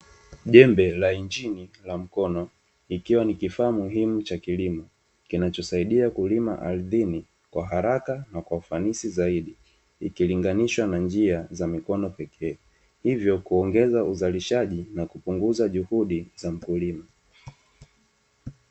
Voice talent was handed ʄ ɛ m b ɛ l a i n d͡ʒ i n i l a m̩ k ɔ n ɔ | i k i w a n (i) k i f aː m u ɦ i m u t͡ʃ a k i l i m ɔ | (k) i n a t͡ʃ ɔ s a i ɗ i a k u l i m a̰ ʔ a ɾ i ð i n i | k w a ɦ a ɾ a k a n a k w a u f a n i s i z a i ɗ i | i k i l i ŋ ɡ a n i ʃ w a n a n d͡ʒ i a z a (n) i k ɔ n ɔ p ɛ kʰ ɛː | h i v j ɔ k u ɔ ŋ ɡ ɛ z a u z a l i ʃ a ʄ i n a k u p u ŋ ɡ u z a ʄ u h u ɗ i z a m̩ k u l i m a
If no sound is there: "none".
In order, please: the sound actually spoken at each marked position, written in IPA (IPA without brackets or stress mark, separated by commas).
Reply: i, k, m